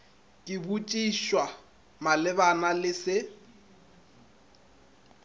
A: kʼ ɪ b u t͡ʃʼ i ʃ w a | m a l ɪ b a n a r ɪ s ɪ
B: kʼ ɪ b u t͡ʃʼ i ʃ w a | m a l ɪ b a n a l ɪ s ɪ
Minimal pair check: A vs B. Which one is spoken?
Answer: B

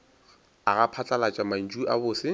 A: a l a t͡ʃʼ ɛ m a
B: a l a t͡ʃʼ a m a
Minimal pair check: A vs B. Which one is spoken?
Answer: B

